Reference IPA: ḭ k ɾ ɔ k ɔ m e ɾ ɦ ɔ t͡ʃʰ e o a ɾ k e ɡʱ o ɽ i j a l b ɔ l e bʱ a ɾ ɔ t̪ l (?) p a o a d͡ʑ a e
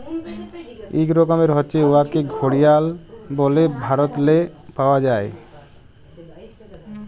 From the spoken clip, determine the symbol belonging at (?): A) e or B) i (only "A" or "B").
A